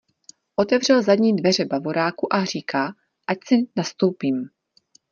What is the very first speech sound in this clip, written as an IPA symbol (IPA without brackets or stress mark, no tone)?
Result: ʔ